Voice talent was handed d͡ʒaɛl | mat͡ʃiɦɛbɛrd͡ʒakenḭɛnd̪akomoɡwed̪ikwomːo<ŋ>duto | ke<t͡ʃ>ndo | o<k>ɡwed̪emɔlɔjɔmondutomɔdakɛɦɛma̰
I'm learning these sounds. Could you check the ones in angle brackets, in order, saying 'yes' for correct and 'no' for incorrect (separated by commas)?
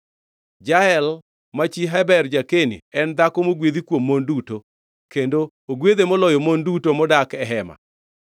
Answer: no, no, no